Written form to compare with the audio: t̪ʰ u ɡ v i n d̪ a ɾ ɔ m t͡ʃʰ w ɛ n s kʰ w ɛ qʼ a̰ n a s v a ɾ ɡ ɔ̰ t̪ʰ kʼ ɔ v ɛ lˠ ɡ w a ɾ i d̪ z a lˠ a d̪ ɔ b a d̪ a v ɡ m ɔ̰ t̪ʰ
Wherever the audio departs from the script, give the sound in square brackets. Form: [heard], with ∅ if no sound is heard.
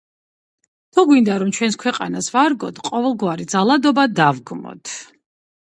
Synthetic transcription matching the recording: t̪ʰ u ɡ [w] i n d̪ a ɾ ɔ m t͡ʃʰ w ɛ n s kʰ w ɛ qʼ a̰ n a s v a ɾ ɡ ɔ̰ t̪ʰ [qʼ] ɔ v ɛ lˠ ɡ w a ɾ i d̪ z a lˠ a d̪ ɔ b a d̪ a v ɡ m ɔ̰ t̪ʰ